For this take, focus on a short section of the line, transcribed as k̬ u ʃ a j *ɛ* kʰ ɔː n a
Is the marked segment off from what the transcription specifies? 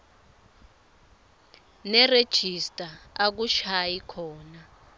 yes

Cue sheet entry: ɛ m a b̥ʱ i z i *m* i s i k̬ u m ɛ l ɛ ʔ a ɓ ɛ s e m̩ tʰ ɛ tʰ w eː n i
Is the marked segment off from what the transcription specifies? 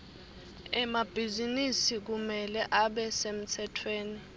yes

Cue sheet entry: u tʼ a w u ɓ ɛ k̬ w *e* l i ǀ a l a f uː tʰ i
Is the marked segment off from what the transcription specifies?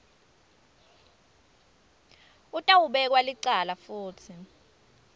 yes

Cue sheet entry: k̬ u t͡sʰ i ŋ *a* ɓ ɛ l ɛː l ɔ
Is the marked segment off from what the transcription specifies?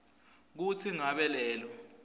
no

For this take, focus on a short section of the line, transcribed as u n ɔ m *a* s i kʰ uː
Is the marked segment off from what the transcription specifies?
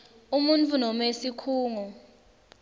yes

